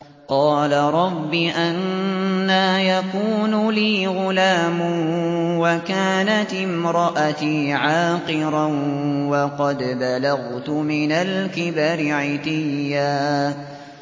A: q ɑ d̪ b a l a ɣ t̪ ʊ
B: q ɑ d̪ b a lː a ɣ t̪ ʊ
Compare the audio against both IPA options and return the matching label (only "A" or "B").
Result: A